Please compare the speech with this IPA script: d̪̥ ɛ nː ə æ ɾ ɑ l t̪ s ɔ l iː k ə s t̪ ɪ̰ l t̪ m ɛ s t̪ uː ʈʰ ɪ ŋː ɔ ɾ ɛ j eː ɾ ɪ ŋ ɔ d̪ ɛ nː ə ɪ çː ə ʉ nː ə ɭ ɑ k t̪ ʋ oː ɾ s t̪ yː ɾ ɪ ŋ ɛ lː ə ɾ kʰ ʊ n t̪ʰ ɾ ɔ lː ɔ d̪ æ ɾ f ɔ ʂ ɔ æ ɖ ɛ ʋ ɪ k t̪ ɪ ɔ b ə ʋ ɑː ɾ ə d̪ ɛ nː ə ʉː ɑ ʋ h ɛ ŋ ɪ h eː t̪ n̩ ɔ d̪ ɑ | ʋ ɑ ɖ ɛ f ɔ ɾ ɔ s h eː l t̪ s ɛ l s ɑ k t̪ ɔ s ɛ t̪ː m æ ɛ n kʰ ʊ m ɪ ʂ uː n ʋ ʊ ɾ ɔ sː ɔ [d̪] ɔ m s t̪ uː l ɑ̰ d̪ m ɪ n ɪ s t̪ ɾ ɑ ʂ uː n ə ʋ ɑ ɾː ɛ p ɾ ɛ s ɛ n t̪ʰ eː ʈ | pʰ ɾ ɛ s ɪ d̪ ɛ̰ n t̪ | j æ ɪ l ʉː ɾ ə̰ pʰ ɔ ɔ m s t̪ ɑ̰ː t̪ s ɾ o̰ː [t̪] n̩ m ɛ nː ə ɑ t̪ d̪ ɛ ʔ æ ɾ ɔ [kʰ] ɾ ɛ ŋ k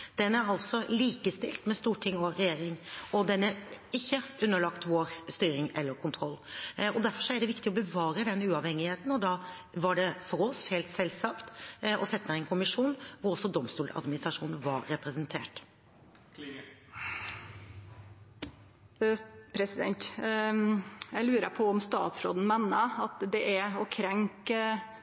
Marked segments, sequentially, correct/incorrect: correct, incorrect: d̪, correct

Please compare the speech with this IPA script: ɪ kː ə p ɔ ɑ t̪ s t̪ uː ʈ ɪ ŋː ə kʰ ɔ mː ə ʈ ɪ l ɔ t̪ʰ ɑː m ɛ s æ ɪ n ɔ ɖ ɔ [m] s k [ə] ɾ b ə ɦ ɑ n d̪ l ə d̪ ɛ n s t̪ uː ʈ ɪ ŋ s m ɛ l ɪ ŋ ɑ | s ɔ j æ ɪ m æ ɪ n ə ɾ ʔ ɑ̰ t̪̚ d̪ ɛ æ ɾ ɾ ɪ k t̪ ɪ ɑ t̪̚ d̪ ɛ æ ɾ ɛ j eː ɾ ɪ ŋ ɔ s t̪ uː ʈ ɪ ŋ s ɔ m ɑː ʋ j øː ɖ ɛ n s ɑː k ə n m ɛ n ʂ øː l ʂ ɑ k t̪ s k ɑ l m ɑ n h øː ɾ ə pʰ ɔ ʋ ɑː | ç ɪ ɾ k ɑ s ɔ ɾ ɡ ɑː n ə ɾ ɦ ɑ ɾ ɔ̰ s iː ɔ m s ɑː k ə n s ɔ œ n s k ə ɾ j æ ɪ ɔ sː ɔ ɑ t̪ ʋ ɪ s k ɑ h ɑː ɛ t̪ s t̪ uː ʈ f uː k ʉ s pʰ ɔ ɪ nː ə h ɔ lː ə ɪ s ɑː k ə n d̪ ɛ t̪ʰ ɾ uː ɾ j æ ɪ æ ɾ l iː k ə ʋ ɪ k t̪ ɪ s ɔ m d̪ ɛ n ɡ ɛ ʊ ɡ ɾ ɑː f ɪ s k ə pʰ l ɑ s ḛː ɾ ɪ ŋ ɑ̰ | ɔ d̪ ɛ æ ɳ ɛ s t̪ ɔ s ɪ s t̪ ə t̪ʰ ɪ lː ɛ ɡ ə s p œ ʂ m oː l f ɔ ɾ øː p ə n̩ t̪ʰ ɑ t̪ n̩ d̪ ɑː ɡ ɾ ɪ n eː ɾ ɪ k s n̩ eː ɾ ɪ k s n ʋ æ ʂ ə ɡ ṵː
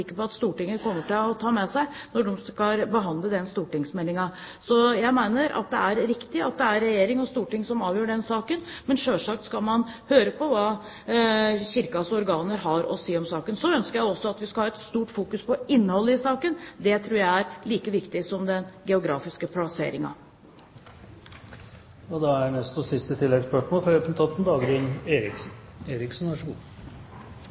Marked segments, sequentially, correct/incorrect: correct, incorrect: ɑ

